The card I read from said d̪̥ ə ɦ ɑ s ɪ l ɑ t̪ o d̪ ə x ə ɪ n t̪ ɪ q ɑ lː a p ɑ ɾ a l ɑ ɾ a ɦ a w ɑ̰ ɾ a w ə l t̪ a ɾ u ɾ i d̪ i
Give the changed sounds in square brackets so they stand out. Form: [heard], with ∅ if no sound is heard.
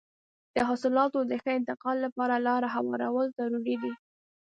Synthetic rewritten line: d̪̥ ə ɦ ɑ s ɪ l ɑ t̪ o d̪ ə x ə ɪ n t̪ ɪ q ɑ lː a p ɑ ɾ a l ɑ ɾ a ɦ a w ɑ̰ ɾ a w ə l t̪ a ɾ u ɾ i d̪ i